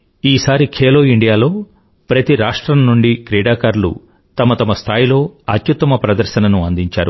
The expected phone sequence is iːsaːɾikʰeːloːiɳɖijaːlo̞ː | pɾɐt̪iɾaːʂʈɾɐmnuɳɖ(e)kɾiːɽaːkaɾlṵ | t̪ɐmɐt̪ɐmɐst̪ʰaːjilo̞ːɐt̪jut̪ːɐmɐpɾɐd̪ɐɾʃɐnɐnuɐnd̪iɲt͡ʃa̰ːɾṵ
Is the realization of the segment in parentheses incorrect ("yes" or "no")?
yes